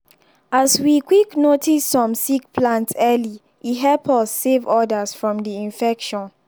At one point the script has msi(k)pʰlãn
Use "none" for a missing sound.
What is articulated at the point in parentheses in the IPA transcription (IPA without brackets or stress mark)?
k